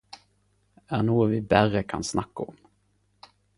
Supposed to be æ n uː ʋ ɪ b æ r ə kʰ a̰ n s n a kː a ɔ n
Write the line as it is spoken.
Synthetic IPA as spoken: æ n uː v ɪ b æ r ə kʰ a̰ n s n a kː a ɔ m